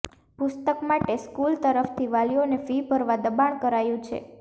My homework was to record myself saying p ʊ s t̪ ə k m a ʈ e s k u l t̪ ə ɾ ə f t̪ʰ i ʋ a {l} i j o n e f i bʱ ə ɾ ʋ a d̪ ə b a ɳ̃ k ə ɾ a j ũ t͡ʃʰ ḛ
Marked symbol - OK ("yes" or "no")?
yes